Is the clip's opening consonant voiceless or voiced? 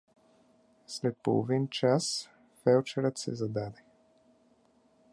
voiceless